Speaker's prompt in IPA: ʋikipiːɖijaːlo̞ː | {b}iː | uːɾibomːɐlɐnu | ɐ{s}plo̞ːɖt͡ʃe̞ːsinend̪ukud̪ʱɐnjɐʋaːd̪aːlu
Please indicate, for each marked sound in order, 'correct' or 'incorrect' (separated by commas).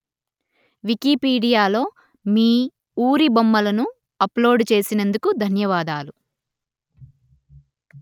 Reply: incorrect, incorrect